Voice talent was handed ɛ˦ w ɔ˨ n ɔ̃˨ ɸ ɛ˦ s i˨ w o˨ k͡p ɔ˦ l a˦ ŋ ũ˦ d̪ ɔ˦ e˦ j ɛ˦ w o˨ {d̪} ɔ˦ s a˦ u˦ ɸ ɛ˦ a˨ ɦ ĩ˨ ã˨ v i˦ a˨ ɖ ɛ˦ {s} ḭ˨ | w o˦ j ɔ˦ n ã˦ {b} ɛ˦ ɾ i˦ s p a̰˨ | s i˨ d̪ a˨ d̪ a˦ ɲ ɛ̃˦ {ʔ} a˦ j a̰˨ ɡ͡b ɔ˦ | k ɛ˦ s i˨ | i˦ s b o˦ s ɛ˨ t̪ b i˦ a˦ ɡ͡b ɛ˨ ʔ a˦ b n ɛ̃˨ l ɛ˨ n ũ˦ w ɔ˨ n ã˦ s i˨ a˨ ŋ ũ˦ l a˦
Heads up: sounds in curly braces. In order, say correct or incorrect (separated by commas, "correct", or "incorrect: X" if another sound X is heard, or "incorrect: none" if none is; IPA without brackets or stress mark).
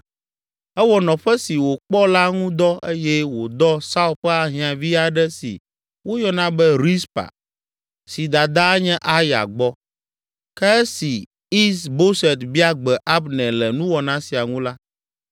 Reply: correct, correct, correct, correct